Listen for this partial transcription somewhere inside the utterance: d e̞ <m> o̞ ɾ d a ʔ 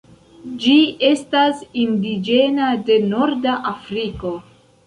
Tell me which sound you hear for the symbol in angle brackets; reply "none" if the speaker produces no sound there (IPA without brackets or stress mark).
n